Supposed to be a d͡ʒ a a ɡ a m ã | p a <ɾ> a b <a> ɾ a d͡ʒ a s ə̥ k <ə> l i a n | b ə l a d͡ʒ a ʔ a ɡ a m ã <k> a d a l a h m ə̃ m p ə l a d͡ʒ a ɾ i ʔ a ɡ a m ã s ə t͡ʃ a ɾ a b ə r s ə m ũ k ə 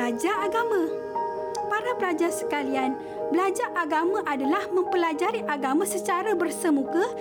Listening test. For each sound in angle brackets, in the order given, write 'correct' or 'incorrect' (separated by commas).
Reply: correct, incorrect, incorrect, incorrect